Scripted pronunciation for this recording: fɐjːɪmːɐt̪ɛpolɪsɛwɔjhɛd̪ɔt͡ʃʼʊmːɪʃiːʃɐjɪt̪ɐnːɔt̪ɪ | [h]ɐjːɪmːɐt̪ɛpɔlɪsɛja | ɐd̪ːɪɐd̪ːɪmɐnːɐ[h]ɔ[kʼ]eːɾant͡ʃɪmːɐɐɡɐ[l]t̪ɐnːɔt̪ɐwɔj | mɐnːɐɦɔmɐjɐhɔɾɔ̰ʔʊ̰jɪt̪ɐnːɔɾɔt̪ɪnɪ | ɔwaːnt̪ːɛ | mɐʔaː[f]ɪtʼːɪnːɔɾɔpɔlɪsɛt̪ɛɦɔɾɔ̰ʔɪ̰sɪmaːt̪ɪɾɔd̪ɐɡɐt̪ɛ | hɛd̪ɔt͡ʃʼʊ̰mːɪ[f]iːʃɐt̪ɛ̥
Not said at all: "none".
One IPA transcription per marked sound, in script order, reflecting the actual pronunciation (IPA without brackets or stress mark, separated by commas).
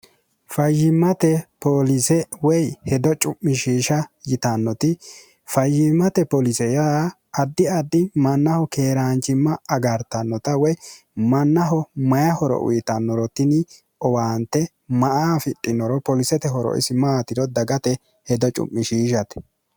f, h, k, ɾ, f, ʃ